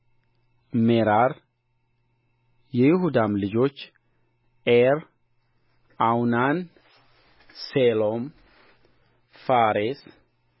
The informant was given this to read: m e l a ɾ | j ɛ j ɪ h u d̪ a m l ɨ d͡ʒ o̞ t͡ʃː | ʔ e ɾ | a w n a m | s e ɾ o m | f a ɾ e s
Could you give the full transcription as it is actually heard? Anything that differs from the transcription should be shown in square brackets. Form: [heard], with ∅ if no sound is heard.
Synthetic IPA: m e [ɾ] a ɾ | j ɛ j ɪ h u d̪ a m l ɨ d͡ʒ o̞ t͡ʃː | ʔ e ɾ | a w n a [n] | s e [l] o m | f a ɾ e s